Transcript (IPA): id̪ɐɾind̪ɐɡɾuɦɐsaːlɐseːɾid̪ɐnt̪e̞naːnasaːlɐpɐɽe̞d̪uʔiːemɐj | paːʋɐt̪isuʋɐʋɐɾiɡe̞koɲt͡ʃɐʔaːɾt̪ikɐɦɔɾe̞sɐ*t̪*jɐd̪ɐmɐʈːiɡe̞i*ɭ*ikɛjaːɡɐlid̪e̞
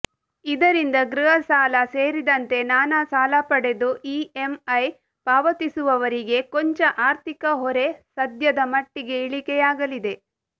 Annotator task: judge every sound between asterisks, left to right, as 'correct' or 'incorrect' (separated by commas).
incorrect, correct